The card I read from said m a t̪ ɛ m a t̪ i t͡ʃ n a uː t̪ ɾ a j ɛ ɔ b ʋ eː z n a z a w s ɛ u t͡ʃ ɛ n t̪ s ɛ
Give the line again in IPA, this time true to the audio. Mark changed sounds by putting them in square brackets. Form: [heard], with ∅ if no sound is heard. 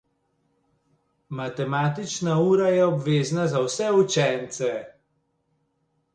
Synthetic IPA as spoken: m a t̪ ɛ m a t̪ i t͡ʃ n a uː [∅] ɾ a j ɛ ɔ b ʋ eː z n a z a w s ɛ u t͡ʃ ɛ n t̪ s ɛ